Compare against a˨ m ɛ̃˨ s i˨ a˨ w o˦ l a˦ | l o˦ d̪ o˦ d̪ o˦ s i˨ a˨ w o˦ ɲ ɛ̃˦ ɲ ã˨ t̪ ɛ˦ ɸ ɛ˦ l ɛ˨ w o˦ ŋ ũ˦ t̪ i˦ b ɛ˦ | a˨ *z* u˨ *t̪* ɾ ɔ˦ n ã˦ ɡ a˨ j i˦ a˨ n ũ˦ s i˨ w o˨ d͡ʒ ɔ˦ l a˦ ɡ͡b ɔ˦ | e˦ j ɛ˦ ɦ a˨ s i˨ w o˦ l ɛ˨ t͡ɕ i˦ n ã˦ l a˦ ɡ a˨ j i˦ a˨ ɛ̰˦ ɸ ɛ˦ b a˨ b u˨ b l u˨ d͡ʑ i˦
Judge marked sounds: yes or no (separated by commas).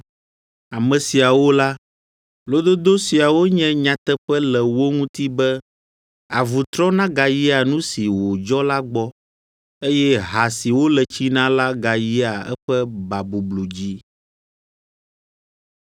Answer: no, yes